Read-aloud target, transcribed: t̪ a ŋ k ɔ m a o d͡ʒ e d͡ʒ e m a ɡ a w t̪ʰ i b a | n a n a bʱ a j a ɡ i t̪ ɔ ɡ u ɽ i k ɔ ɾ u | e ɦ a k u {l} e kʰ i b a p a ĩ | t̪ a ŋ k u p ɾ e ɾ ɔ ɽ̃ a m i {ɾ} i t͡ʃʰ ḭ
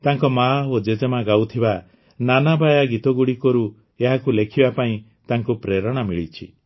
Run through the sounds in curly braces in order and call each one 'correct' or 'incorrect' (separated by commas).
correct, incorrect